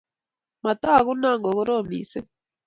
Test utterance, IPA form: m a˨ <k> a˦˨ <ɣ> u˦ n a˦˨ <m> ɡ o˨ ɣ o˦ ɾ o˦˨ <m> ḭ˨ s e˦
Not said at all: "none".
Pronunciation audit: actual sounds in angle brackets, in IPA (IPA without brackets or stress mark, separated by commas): t, ɣ, ŋ, m